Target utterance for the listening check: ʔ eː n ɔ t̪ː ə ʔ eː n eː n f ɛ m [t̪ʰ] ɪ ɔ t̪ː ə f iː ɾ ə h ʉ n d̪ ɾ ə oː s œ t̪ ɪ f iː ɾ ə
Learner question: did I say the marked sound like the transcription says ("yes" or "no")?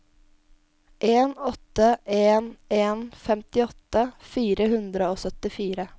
no